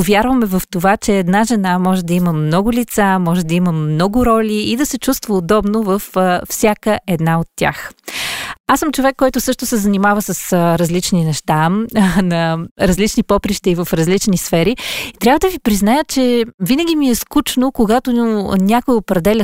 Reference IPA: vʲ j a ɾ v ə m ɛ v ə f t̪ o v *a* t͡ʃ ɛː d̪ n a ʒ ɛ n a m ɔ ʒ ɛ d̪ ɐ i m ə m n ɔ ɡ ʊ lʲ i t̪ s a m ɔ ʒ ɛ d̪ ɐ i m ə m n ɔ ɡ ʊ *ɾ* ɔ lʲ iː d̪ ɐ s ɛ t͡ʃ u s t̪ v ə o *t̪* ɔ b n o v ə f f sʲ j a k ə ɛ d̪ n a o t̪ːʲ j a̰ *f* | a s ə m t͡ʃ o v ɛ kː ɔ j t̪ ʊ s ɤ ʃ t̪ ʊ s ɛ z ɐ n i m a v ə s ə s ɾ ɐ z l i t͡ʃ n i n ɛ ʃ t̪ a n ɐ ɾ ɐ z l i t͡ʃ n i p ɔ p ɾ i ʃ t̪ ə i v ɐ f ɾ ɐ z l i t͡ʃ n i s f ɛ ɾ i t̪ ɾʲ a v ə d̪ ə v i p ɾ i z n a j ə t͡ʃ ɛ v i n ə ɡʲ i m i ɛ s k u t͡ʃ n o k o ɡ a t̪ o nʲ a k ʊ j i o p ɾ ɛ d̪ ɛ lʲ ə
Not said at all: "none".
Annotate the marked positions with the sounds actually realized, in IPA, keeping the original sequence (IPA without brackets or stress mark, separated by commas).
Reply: a, ɾ, d̪, x